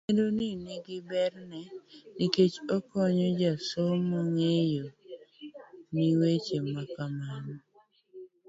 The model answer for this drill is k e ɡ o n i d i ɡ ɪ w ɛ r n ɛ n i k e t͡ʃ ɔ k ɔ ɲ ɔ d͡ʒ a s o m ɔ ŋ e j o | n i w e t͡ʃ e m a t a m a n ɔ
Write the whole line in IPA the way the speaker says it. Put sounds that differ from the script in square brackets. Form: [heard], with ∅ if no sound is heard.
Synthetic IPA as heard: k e [d] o n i [n] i ɡ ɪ [b] ɛ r n ɛ n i k e t͡ʃ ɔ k ɔ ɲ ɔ d͡ʒ a s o m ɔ ŋ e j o | n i w e t͡ʃ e m a [k] a m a n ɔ